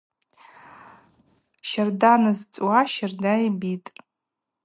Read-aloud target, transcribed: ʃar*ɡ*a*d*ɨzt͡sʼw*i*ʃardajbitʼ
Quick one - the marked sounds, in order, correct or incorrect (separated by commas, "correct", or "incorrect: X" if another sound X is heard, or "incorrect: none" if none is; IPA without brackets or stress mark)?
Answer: incorrect: d, incorrect: n, incorrect: a